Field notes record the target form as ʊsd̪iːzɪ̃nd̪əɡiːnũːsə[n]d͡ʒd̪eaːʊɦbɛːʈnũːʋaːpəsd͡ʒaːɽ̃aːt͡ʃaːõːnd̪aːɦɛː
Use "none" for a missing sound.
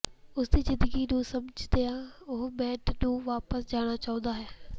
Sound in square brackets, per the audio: m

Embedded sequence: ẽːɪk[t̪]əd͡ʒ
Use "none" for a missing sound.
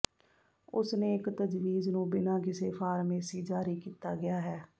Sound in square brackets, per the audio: t̪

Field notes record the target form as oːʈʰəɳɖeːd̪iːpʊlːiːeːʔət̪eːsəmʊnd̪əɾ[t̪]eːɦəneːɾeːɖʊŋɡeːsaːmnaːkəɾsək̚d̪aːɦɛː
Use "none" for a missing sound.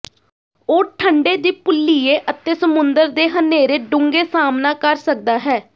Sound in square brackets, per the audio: d̪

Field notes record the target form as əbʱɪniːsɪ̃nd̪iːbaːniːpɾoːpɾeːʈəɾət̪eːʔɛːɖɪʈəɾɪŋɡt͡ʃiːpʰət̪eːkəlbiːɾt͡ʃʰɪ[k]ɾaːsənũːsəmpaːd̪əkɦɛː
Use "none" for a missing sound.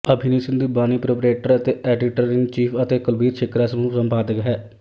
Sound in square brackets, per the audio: k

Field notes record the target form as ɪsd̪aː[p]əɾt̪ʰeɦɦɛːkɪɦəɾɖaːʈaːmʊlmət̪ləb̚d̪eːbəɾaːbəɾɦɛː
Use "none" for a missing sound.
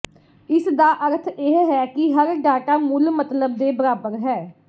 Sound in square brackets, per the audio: ʔ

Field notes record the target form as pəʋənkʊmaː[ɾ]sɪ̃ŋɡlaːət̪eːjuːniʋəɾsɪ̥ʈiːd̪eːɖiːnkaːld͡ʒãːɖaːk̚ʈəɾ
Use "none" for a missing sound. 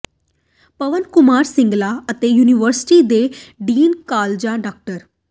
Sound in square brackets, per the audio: ɾ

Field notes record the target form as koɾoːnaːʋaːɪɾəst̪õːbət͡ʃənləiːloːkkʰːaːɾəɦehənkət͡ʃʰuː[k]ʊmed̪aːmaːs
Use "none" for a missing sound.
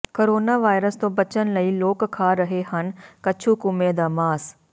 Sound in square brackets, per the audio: k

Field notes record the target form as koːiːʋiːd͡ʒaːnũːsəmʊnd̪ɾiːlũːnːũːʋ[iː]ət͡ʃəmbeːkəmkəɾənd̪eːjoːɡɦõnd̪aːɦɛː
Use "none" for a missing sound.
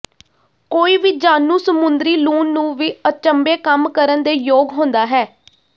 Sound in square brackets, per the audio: iː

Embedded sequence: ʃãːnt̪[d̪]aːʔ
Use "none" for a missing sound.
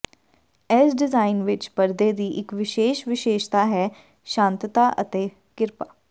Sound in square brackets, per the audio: t̪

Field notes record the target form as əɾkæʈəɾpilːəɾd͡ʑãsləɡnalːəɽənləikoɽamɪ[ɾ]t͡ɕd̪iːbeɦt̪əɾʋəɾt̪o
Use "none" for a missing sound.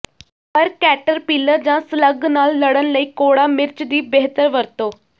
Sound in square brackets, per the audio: ɾ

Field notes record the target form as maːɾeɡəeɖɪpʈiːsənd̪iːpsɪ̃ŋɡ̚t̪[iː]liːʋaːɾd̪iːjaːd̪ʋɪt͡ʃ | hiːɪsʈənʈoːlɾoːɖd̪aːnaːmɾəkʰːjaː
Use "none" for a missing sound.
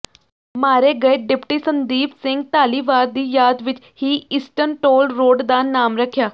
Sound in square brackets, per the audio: aː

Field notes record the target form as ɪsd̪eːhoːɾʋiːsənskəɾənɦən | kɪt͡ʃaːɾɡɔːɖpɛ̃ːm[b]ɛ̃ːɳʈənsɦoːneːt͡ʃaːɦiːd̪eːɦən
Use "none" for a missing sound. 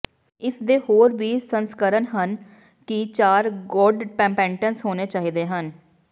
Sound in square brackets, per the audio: p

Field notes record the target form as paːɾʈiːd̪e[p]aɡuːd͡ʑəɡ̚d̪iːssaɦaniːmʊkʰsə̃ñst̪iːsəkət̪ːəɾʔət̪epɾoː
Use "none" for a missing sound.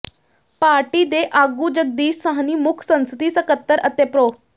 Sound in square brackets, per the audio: ʔ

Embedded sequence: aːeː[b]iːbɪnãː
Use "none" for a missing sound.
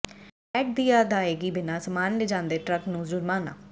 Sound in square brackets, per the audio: ɡ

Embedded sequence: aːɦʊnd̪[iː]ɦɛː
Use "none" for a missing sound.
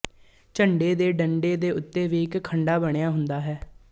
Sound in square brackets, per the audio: aː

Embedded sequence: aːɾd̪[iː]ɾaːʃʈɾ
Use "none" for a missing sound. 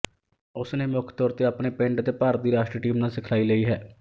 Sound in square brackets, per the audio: iː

